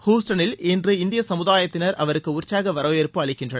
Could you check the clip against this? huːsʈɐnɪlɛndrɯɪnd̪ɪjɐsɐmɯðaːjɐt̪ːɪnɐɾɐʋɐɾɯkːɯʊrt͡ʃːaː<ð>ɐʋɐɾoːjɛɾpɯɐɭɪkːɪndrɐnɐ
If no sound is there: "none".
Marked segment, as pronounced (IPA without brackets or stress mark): ɣ